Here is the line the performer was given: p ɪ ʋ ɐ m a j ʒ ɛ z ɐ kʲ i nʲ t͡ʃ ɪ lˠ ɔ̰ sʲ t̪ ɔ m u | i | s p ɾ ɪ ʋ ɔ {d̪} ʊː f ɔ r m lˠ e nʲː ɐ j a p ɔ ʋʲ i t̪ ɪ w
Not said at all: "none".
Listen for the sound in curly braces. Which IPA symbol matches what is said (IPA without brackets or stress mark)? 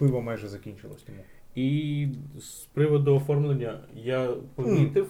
d̪